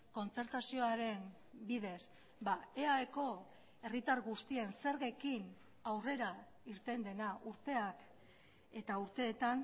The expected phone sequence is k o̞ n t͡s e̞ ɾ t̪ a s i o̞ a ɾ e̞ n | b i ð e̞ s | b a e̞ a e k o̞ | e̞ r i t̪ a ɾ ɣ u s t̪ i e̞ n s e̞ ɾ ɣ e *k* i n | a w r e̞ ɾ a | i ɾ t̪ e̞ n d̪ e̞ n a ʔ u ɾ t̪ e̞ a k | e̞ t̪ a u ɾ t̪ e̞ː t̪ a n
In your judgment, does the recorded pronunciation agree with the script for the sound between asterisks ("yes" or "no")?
yes